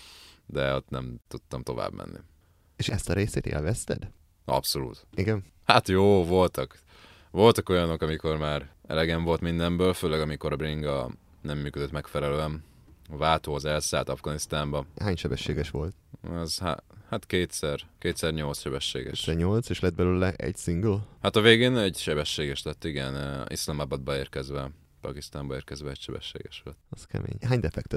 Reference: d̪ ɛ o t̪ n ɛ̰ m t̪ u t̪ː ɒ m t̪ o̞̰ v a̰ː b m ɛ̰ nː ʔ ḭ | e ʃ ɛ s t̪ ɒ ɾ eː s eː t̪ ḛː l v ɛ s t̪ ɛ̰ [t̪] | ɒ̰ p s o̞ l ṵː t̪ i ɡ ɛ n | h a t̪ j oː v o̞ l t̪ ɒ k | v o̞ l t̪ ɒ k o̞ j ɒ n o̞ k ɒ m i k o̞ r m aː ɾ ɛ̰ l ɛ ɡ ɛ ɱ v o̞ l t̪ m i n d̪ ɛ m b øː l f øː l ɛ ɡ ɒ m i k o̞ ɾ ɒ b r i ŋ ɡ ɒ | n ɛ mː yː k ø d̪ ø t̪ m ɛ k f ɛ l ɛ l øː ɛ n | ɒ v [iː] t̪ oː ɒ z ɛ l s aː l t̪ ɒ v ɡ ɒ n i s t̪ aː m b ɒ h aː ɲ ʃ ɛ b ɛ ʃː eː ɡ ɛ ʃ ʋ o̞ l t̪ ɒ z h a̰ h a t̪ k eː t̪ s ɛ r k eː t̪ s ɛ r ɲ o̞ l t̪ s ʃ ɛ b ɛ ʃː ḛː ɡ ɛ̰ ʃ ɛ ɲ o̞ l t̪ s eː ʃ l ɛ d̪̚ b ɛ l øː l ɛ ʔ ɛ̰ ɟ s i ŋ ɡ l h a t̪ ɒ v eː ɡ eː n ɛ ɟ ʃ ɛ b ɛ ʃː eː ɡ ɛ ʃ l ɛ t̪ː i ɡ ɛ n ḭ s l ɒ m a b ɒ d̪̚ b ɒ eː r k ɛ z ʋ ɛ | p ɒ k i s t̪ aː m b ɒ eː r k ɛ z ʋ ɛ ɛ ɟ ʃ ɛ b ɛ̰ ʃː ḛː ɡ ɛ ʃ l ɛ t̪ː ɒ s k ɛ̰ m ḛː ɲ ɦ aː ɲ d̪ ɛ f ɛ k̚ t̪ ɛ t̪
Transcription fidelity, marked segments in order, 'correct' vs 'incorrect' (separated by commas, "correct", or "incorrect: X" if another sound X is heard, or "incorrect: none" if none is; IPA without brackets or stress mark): incorrect: d̪, incorrect: aː